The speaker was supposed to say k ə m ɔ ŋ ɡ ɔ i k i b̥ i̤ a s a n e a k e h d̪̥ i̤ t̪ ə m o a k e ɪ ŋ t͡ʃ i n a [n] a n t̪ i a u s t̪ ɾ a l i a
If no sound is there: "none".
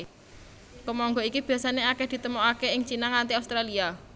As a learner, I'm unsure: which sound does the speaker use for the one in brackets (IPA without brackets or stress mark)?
ŋ